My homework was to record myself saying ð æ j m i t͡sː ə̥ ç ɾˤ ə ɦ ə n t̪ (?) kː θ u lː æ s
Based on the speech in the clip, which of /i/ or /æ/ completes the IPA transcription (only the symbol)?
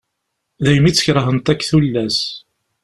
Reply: æ